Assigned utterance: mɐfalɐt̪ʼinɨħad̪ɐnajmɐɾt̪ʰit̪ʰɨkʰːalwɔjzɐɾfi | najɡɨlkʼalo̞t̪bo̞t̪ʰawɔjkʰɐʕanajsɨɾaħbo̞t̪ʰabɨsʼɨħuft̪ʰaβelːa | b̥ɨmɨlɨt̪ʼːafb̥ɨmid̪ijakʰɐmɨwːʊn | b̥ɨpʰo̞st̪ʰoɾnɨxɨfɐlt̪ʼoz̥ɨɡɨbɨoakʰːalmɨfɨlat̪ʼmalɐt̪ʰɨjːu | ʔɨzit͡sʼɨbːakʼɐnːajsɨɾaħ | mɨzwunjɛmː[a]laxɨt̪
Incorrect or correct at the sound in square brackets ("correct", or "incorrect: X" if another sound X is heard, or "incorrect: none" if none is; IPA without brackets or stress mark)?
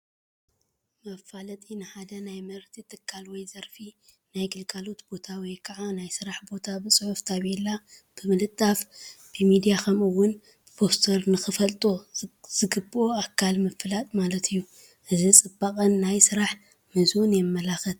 incorrect: ɐ